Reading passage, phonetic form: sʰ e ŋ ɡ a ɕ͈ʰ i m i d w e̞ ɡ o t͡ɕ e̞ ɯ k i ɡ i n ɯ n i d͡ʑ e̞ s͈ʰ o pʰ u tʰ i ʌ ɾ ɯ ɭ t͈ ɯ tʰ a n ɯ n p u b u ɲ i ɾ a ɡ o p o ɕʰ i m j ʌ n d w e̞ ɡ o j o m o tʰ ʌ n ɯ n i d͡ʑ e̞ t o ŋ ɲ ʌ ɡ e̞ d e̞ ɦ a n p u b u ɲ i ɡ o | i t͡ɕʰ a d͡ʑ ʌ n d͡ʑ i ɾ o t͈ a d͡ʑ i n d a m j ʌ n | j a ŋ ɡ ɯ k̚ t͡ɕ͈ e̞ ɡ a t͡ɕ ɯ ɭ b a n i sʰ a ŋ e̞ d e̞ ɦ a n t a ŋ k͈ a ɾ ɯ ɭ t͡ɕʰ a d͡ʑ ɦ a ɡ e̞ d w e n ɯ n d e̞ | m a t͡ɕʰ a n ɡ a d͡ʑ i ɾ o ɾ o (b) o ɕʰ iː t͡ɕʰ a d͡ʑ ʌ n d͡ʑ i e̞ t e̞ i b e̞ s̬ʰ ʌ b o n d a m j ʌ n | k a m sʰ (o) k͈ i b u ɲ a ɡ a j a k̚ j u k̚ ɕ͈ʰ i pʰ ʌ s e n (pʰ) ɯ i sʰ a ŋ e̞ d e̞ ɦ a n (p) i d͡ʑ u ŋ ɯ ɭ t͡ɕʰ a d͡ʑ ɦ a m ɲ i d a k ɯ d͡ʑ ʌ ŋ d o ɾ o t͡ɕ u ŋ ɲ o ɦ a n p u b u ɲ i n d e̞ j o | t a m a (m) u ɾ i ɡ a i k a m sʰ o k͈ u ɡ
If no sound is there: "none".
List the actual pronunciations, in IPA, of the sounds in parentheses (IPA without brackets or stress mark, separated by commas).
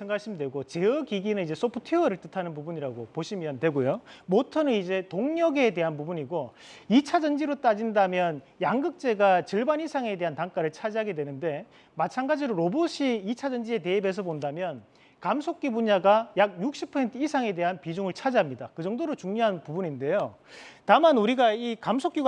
b, o, tʰ, p, n